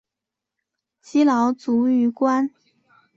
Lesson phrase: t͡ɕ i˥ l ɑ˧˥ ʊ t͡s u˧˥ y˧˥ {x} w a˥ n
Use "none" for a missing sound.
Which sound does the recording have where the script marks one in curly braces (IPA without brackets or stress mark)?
k